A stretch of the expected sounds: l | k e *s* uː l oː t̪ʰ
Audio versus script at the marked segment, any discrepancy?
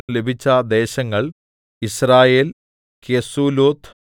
no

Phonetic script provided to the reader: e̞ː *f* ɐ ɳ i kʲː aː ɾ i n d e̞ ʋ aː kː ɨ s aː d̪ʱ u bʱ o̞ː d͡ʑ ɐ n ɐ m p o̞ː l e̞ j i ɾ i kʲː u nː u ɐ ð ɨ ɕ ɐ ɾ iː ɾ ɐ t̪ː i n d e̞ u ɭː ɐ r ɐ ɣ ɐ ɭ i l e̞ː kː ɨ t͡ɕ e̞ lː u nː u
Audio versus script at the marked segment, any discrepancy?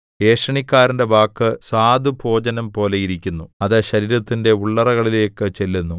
yes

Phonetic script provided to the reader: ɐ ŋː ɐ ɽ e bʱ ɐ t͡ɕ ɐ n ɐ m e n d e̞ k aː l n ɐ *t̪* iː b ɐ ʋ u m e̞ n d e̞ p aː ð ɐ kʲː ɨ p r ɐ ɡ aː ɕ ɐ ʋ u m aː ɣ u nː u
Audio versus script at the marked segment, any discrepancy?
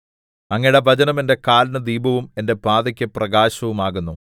yes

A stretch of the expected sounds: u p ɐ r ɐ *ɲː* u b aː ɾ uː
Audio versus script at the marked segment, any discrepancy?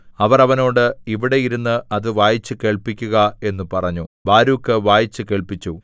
no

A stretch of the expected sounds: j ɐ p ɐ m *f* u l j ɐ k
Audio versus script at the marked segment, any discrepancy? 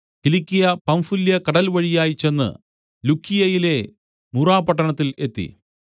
no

